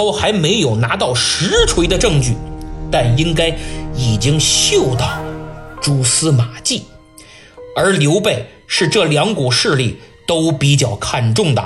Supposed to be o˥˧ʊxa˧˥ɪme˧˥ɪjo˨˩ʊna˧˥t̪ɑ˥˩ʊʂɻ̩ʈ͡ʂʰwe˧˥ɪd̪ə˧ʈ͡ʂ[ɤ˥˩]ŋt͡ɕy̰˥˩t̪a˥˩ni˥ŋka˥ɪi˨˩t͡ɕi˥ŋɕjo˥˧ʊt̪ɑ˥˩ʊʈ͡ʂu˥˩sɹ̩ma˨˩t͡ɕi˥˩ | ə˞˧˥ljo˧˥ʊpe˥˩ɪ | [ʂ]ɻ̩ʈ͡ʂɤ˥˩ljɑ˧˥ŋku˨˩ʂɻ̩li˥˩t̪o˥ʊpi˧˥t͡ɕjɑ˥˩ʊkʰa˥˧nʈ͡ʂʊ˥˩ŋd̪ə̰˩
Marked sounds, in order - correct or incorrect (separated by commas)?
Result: incorrect, correct